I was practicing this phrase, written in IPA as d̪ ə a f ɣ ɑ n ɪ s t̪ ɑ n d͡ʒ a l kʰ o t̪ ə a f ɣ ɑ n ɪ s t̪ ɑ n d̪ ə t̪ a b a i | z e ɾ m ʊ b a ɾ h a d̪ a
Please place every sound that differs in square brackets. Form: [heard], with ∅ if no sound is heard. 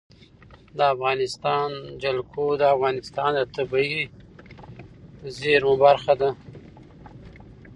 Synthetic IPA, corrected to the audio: d̪ ə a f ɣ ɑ n ɪ s t̪ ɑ n d͡ʒ a l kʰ o [d̪] ə a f ɣ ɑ n ɪ s t̪ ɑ n d̪ ə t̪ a b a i | z e ɾ m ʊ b a ɾ [x] a d̪ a